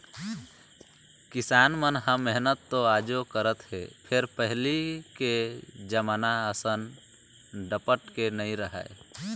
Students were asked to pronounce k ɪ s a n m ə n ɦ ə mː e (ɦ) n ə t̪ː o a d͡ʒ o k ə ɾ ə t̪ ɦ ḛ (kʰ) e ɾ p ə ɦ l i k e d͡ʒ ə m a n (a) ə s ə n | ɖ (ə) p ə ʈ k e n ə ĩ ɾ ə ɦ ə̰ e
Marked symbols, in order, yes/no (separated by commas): yes, no, yes, yes